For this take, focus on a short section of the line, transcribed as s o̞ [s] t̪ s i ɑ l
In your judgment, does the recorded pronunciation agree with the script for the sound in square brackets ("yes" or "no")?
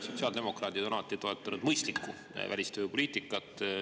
no